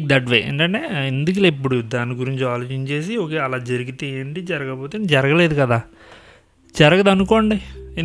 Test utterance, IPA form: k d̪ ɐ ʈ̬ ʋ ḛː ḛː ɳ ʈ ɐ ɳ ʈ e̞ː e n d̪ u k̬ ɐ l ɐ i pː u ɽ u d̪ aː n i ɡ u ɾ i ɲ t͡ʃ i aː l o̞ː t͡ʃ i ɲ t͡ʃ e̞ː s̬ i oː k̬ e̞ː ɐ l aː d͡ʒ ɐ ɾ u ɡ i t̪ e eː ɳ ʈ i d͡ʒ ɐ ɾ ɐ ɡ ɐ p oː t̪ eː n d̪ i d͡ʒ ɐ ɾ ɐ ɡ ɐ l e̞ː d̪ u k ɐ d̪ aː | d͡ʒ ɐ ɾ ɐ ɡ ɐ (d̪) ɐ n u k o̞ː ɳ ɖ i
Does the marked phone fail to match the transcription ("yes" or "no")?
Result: no